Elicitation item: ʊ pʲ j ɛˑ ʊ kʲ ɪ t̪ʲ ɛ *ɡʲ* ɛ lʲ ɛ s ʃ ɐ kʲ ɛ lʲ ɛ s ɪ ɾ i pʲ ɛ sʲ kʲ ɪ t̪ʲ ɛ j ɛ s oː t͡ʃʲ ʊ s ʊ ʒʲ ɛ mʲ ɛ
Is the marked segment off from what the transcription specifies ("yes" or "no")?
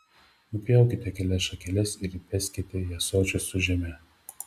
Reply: yes